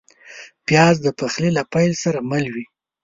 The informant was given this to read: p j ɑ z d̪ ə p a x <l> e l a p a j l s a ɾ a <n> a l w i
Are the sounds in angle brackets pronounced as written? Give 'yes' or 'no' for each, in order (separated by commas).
yes, no